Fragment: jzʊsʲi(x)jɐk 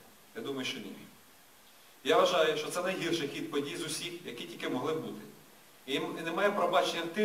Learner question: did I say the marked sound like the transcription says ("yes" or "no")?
yes